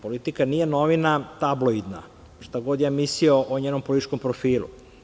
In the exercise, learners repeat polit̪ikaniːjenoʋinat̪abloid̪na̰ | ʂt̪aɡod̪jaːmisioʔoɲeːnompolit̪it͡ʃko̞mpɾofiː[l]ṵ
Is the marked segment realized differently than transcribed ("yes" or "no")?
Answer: no